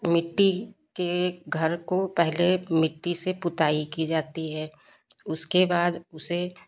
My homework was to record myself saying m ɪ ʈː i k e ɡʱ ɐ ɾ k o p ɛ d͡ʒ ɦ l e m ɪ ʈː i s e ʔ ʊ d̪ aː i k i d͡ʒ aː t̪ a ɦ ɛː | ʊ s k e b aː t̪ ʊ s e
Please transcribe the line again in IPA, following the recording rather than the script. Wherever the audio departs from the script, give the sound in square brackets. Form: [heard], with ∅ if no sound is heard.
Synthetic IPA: m ɪ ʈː i k e ɡʱ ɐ ɾ k o p ɛ [∅] ɦ l e m ɪ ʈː i s e [p] ʊ [t̪] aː i k i d͡ʒ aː t̪ [i] ɦ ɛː | ʊ s k e b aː [d̪] ʊ s e